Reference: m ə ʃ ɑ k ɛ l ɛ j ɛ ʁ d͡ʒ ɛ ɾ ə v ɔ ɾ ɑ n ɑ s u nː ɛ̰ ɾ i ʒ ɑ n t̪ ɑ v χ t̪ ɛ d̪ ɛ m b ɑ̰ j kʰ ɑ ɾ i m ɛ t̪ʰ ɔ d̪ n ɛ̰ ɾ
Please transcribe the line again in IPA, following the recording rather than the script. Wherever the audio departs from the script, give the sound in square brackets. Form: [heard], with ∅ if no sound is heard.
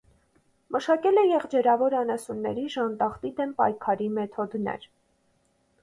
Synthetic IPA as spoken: m ə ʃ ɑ k ɛ l ɛ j ɛ ʁ d͡ʒ ɛ ɾ [ɑ] v ɔ ɾ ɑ n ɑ s u nː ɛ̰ ɾ i ʒ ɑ n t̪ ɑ [∅] χ t̪ [i] d̪ ɛ m [p] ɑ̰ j kʰ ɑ ɾ i m ɛ t̪ʰ ɔ d̪ n ɛ̰ ɾ